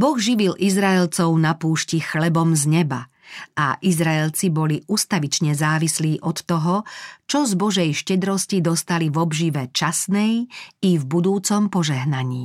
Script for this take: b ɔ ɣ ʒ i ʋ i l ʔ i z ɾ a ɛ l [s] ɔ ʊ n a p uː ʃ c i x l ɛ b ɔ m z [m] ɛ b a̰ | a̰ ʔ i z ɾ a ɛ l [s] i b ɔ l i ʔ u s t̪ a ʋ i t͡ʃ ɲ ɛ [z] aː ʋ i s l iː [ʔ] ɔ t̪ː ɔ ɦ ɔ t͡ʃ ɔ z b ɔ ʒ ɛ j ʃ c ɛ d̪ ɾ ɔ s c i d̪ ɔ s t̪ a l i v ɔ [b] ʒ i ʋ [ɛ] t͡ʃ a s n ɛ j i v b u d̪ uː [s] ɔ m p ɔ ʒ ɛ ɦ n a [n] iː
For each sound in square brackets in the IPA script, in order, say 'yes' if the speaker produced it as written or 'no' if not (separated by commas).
no, no, no, yes, yes, yes, yes, no, no